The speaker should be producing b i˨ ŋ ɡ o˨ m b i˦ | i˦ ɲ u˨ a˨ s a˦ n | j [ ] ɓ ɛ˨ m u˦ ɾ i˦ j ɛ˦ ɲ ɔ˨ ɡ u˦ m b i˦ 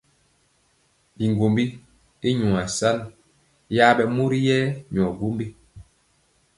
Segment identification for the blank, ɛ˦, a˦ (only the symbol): a˦